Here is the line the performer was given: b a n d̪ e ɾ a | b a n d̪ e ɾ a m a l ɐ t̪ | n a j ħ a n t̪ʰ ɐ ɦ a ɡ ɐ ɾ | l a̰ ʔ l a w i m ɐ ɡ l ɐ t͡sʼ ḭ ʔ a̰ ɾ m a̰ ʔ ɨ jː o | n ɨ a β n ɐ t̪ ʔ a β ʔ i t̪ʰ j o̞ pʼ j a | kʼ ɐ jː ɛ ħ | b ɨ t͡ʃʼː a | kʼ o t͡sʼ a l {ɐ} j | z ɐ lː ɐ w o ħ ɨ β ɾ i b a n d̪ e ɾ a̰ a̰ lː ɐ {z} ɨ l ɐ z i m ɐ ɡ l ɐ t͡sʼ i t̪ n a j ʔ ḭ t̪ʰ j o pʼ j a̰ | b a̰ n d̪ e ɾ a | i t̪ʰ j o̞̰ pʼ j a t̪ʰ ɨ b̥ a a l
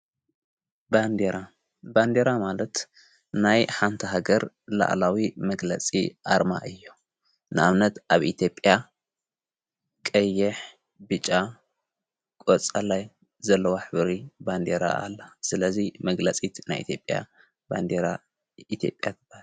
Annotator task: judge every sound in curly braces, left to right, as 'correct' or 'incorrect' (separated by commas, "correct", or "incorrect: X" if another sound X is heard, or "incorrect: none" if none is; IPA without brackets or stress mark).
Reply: incorrect: a, incorrect: s